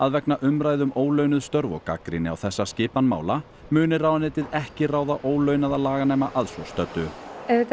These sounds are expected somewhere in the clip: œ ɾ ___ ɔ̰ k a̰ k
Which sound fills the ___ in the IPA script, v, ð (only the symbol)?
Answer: v